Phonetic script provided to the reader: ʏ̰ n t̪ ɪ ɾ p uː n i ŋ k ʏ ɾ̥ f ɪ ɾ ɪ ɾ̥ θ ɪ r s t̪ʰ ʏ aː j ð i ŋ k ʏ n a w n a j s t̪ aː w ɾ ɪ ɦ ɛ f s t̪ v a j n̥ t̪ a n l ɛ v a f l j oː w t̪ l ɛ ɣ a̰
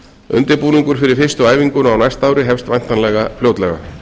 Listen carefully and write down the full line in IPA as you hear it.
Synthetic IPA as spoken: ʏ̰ n t̪ ɪ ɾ p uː n i ŋ k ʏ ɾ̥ f ɪ ɾ ɪ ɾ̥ f ɪ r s t̪ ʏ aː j v i ŋ k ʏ n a w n a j s t̪ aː w ɾ ɪ ɦ ɛ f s t̪ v a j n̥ t̪ a n l ɛ ɣ a f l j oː w t̪ l ɛ ɣ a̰